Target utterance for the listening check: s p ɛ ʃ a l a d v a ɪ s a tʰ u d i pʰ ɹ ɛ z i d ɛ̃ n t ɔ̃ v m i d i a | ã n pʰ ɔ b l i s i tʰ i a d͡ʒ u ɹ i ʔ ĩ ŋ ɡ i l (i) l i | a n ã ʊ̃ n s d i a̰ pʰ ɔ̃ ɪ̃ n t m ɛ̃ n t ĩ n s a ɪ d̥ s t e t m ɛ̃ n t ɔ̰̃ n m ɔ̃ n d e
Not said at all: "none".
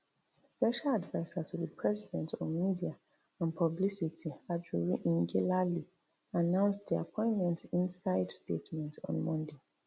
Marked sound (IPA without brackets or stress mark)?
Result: a